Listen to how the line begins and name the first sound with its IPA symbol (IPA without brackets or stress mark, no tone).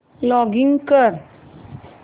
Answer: l